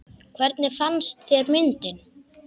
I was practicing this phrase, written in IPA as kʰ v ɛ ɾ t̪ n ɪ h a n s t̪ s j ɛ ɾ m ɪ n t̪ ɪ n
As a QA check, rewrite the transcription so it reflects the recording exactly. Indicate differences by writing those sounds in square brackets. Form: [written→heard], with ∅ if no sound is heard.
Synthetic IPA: kʰ v ɛ ɾ t̪ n ɪ [h→f] a n s t̪ [s→θ] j ɛ ɾ m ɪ n t̪ ɪ n